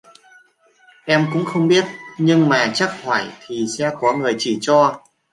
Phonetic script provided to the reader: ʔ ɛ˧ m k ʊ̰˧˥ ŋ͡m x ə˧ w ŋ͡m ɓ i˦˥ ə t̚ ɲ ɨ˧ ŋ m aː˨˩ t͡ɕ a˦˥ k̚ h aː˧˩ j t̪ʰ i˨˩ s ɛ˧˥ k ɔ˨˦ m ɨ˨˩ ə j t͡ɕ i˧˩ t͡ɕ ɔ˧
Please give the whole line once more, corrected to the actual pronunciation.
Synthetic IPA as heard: ʔ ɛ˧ m k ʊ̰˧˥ ŋ͡m x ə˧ w ŋ͡m ɓ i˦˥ ə t̚ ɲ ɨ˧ ŋ m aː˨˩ t͡ɕ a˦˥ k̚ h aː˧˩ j t̪ʰ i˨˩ s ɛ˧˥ k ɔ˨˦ ŋ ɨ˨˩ ə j t͡ɕ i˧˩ t͡ɕ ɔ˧

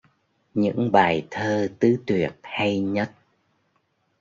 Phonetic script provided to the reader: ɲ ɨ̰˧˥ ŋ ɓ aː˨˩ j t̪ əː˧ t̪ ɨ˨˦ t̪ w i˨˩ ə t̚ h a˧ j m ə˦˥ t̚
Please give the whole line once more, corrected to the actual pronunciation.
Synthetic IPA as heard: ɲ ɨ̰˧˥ ŋ ɓ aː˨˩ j t̪ʰ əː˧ t̪ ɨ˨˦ t̪ w i˨˩ ə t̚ h a˧ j ɲ ə˦˥ t̚

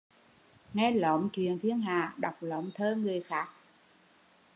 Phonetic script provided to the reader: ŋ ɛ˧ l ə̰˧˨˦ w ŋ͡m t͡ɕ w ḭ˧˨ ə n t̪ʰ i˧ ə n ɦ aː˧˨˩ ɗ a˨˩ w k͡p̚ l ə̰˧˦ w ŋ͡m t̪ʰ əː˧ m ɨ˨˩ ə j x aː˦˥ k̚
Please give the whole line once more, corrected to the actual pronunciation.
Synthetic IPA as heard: ŋ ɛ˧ l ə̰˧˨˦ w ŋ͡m t͡ɕ w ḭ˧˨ ə n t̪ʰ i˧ ə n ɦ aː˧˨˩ ɗ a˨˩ w k͡p̚ l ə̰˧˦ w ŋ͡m t̪ʰ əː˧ ŋ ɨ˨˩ ə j x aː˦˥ k̚

